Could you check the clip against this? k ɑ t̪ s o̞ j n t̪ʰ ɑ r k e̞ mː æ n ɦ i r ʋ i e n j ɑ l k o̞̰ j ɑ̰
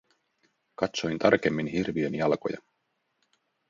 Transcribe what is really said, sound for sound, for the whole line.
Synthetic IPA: k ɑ t̪ s o̞ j n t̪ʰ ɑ r k e̞ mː i n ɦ i r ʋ i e n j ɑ l k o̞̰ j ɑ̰

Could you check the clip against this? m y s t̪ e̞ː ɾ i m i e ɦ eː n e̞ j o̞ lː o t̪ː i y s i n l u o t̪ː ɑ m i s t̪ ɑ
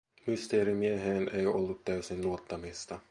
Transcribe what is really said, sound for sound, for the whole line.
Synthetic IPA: m y s t̪ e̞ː ɾ i m i e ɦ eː n e̞ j o̞ lː u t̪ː æ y s i n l u o t̪ː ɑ m i s t̪ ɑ

